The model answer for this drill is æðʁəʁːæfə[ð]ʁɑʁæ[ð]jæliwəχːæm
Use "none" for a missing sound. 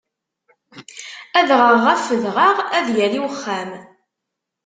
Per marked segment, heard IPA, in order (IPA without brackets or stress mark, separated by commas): ð, ð